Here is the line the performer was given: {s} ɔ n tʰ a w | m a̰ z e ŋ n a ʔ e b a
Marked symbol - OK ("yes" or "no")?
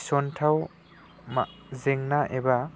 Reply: yes